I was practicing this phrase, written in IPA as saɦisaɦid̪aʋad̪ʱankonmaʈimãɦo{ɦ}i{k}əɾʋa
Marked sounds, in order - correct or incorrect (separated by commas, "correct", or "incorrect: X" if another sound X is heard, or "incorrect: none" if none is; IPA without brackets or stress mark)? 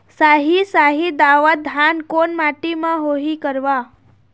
correct, correct